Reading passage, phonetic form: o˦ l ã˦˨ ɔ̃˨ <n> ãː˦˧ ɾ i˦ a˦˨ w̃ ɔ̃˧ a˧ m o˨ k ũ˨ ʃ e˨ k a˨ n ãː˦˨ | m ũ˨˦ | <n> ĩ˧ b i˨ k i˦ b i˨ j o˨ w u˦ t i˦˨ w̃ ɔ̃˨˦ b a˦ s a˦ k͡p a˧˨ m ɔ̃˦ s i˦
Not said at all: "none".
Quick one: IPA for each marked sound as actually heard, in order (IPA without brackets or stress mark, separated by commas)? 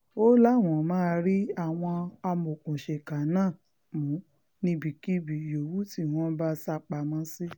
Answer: m, n